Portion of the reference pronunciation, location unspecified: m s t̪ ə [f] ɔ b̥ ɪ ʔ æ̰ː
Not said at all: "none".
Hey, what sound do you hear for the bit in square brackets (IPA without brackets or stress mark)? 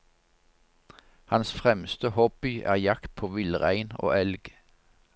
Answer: h